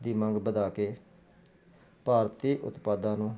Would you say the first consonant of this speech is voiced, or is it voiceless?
voiced